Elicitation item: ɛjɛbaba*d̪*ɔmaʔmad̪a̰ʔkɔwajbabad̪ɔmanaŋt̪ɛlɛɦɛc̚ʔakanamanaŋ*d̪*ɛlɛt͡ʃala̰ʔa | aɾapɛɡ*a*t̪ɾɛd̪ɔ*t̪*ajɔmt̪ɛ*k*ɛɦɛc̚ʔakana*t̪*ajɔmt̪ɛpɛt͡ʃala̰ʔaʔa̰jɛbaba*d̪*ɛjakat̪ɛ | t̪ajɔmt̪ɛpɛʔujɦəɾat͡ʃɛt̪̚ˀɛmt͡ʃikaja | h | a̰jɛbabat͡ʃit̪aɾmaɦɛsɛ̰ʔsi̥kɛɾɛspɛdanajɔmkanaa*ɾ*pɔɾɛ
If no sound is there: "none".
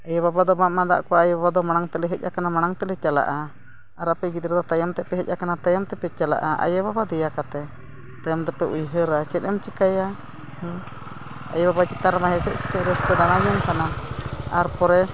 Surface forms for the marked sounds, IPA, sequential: d̪, t̪, i, t̪, p, t̪, d̪, ɾ

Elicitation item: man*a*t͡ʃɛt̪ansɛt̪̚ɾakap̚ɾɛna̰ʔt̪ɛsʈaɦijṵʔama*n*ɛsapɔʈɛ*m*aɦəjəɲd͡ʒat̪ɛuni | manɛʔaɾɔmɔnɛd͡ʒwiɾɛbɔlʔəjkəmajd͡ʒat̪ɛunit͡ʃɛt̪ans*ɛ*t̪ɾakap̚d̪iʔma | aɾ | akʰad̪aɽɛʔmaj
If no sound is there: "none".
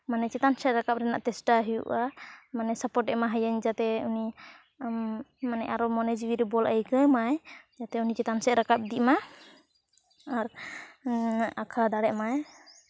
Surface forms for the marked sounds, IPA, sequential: ɛ, n, m, ɛ

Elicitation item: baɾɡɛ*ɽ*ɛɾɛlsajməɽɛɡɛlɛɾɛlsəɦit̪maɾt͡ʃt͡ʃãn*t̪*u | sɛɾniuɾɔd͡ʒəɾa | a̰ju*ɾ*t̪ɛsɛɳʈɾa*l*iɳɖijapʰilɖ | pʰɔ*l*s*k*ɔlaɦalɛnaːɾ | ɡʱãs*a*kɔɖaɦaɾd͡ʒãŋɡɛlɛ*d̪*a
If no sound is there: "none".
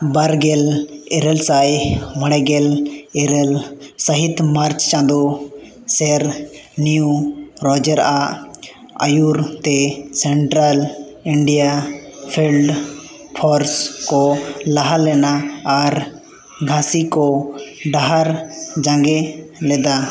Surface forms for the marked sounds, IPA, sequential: l, d̪, ɾ, l, ɾ, k, i, d̪

